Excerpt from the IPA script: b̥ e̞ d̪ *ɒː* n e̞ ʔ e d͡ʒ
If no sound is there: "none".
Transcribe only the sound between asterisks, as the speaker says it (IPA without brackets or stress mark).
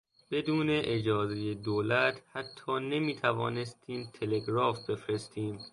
uː